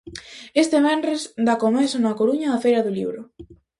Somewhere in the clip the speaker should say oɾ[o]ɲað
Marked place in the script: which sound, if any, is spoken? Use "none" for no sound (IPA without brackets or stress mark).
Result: u